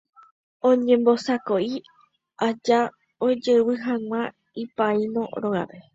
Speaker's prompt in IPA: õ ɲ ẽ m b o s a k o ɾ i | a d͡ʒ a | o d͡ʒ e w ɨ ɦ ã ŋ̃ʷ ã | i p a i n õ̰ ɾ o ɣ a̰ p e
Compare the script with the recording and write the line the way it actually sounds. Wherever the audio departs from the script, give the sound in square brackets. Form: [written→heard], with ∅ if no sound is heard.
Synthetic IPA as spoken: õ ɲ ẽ m b o s a k o [ɾ→∅] i | a d͡ʒ a | o d͡ʒ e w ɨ ɦ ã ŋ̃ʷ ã | i p a i n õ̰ ɾ o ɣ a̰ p e